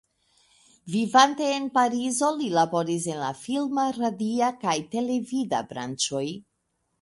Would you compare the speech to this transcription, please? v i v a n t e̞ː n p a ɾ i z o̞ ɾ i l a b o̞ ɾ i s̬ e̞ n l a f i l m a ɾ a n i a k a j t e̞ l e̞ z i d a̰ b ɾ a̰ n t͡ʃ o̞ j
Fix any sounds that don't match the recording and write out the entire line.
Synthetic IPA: v i v a n t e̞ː n p a ɾ i z o̞ l i l a b o̞ ɾ i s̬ e̞ n l a f i l m a ɾ a d i a k a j t e̞ l e̞ v i d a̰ b ɾ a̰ n t͡ʃ o̞ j